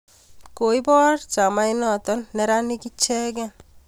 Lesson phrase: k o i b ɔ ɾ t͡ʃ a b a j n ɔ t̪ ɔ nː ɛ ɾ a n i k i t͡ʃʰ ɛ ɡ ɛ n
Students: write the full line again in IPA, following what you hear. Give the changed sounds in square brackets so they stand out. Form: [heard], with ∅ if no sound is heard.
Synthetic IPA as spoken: k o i b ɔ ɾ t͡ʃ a [m] a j n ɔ t̪ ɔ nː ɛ ɾ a n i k i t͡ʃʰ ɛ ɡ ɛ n